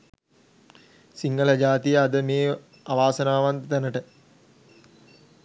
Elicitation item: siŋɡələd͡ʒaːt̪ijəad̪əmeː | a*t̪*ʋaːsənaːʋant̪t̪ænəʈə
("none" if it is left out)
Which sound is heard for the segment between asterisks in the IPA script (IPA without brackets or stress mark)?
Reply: none